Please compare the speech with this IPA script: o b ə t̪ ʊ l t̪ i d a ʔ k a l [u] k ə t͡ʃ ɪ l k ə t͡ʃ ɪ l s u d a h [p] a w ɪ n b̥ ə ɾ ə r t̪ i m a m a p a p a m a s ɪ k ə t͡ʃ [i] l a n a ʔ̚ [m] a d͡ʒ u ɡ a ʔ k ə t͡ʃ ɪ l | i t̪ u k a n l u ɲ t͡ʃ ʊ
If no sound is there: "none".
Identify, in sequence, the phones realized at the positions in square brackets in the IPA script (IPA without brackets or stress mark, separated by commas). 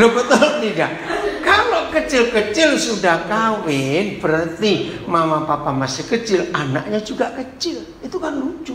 o, k, ɪ, ɲ